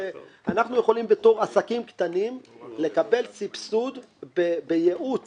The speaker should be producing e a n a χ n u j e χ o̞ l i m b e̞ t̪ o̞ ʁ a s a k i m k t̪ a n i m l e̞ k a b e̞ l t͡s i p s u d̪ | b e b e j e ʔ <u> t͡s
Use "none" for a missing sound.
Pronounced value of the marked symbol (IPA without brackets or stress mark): u